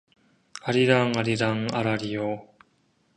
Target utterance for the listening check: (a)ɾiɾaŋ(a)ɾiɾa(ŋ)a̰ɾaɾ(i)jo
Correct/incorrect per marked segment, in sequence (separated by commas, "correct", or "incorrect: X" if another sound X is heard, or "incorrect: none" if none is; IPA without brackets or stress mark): correct, correct, correct, correct